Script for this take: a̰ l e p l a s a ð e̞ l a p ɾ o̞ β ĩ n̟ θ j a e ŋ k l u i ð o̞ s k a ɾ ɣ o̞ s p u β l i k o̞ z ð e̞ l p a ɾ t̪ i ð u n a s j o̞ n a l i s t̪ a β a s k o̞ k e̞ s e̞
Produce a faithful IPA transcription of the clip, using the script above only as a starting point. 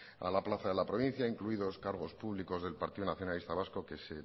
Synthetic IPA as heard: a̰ l a p l a θ a ð e̞ l a p ɾ o̞ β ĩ n̟ θ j a i ŋ k l u i ð o̞ s k a ɾ ɣ o̞ s p u β l i k o̞ z ð e̞ l p a ɾ t̪ i ð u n a θ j o̞ n a l i s t̪ a β a s k o̞ k e̞ s e̞